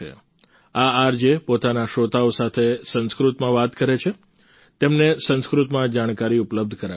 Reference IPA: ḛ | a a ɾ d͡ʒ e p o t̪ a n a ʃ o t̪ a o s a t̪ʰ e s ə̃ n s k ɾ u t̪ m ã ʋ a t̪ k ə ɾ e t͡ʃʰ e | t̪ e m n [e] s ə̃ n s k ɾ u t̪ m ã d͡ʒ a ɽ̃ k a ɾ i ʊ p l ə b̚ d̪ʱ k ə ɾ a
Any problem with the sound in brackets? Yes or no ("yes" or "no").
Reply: no